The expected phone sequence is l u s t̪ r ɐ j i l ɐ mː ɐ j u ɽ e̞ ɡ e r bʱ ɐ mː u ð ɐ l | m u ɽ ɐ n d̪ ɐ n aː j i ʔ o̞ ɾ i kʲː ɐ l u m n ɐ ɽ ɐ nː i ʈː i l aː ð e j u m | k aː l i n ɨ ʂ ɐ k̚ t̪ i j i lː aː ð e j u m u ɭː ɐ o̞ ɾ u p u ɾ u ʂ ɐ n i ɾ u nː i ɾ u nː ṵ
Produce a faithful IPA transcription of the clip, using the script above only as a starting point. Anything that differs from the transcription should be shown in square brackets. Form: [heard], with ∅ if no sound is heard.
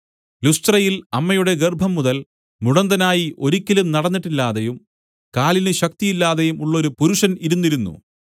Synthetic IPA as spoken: l u s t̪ r ɐ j i l ɐ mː ɐ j u ɽ e̞ ɡ e r bʱ ɐ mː u ð ɐ l | m u ɽ ɐ n d̪ ɐ n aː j i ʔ o̞ ɾ i kʲː ɐ l u m n ɐ ɽ ɐ nː i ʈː i [lː] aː ð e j u m | k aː l i n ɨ [ɕ] ɐ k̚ t̪ i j i lː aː ð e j u m u ɭː ɐ o̞ ɾ u p u ɾ u ʂ ɐ n i ɾ u nː i ɾ u nː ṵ